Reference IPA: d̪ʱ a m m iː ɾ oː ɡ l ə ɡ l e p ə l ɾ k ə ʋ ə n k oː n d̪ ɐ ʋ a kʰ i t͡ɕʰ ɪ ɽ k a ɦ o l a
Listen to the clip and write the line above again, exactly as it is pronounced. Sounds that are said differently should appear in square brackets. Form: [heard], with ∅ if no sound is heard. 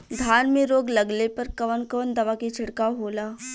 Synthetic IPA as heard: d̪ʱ a [n] m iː ɾ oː ɡ l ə ɡ l e p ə [∅] ɾ k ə ʋ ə n k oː n d̪ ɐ ʋ a [k] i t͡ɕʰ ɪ ɽ k a ɦ o l a